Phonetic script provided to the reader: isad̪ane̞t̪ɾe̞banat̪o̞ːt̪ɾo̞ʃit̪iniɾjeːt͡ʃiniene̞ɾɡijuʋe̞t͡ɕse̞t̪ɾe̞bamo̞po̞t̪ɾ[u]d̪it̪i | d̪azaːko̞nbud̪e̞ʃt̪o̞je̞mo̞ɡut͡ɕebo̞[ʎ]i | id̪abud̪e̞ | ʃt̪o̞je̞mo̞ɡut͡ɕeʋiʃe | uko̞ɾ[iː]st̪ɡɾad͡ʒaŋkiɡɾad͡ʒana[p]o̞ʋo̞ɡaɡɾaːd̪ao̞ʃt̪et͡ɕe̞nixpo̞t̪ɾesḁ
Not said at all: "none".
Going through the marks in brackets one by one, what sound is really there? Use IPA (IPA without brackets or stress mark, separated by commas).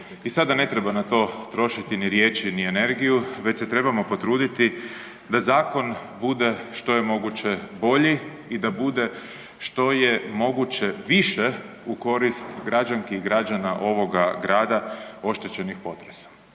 uː, ʎ, i, ʔ